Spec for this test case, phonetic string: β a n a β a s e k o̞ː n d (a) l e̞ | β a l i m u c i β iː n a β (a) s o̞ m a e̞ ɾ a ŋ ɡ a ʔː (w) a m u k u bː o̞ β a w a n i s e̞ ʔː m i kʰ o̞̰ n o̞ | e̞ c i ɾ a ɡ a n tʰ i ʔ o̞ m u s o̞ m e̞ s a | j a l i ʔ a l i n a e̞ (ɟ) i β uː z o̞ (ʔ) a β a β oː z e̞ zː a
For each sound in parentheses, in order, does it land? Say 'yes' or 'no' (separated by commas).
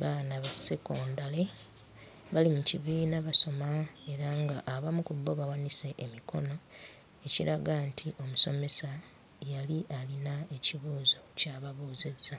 yes, yes, no, no, no